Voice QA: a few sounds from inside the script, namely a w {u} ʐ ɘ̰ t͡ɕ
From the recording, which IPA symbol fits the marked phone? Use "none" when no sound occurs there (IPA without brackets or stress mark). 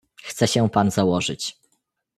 ɔ